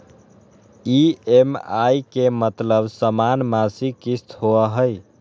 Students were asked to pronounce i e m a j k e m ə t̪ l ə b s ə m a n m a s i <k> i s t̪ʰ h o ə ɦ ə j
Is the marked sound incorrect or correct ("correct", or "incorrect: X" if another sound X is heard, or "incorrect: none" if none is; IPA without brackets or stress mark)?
correct